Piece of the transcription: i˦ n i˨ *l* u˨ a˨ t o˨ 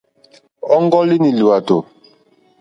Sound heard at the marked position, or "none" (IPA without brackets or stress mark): l